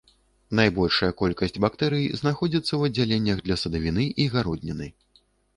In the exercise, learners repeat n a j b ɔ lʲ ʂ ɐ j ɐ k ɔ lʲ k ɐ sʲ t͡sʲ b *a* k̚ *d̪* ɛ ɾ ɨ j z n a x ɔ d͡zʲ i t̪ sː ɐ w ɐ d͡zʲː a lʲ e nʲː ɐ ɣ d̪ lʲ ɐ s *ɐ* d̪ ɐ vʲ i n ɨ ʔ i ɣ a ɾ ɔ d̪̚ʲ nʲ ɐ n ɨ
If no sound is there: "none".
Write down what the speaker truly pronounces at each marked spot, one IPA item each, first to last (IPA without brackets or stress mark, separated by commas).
a, t̪, ɐ